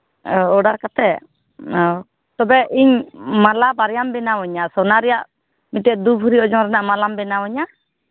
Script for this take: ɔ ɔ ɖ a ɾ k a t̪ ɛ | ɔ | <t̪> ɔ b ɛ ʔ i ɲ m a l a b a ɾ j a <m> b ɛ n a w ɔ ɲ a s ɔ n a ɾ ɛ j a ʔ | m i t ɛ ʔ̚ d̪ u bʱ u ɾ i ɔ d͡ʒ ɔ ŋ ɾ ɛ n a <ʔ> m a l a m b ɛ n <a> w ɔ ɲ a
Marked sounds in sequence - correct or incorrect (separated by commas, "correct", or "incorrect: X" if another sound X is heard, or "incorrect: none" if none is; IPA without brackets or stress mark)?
correct, correct, correct, correct